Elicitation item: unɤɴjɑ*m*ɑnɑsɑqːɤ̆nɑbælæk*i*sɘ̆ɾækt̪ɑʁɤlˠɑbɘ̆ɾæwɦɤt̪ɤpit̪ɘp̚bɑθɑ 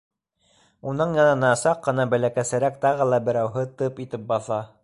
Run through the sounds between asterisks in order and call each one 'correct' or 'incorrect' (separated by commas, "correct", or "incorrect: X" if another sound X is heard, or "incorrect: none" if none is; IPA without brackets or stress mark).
incorrect: n, incorrect: æ